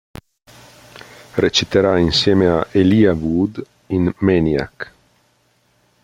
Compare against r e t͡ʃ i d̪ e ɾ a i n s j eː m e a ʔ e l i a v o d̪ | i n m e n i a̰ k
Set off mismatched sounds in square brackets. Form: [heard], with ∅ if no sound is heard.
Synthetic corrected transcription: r e t͡ʃ i [t̪] e ɾ a i n s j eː m e a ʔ e l i a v [u] d̪ | i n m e n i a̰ k